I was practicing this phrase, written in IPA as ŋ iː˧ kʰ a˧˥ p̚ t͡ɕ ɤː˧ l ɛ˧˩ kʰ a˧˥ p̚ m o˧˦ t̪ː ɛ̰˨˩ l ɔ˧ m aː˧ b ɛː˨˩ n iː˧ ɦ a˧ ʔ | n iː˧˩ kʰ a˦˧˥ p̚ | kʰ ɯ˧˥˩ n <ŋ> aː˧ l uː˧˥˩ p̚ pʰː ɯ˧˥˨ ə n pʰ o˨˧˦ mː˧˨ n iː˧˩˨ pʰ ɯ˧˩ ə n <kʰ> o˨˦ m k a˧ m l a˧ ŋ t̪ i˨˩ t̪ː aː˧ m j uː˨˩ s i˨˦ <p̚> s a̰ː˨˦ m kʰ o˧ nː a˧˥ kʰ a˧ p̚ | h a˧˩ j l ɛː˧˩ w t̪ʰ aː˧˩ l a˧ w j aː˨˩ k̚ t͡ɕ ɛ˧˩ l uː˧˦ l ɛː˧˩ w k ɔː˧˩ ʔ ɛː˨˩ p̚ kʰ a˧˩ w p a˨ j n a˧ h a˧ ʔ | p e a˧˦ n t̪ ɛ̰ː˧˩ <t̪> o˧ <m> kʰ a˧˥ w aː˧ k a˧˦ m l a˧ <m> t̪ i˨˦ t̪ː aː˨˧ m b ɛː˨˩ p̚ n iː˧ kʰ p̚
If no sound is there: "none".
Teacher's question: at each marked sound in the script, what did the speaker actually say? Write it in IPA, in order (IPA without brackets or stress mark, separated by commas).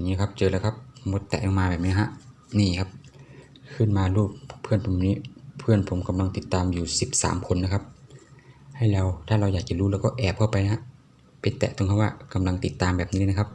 m, pʰ, p̚, t̪, ŋ, ŋ